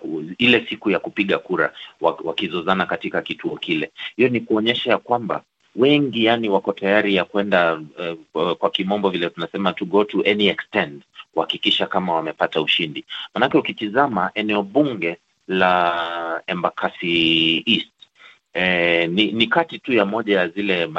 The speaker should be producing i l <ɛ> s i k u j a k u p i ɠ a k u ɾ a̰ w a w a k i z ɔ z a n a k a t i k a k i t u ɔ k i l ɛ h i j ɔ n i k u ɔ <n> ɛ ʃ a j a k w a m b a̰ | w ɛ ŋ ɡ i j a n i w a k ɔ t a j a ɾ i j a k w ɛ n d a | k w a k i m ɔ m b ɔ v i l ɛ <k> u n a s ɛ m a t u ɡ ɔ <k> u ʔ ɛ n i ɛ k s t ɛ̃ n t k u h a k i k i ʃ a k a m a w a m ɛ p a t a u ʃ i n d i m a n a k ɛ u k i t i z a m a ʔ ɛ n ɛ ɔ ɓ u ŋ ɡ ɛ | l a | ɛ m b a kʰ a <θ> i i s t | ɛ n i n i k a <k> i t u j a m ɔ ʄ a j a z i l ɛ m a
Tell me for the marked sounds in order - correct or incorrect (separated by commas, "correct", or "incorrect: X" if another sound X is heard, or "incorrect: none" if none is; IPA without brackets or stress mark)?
correct, incorrect: ɲ, incorrect: t, incorrect: t, incorrect: s, incorrect: t